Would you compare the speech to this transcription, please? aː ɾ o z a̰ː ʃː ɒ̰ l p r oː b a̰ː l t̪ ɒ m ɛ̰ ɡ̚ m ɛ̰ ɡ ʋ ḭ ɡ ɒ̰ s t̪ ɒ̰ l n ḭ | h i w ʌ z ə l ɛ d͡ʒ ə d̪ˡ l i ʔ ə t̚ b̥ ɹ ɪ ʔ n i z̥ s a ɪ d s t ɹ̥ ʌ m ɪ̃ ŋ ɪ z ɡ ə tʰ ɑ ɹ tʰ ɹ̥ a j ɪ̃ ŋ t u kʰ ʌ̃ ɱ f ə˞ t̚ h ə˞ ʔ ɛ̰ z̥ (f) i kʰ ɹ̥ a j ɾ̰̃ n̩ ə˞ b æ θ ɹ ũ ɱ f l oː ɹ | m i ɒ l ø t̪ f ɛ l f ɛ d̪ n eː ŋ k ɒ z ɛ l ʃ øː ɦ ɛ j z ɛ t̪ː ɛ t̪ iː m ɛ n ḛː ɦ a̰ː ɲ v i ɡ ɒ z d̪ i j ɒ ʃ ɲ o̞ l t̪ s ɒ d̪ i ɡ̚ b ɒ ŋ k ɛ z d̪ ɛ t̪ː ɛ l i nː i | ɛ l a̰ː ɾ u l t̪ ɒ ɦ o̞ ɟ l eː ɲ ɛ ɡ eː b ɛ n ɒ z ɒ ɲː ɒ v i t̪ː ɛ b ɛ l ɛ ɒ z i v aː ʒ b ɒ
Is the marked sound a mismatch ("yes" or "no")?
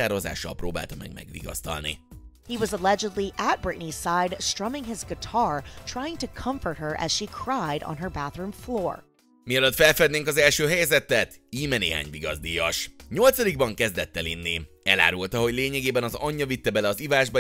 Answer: yes